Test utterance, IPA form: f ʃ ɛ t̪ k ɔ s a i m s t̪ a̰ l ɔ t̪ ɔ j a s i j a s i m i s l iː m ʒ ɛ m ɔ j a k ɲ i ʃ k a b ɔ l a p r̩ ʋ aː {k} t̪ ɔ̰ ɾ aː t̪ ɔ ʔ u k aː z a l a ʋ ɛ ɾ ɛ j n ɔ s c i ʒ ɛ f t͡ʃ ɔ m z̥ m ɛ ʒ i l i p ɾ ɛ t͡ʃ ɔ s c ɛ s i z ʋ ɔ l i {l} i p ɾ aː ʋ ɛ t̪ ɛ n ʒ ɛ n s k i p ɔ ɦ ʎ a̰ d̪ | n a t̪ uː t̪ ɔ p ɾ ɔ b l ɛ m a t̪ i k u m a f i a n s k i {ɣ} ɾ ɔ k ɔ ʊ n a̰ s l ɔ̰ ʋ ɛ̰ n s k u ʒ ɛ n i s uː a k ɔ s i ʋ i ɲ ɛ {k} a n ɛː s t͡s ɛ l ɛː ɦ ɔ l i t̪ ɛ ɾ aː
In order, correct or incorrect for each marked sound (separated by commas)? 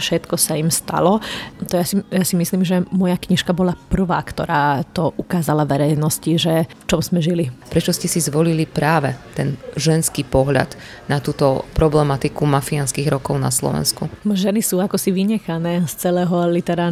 correct, correct, correct, incorrect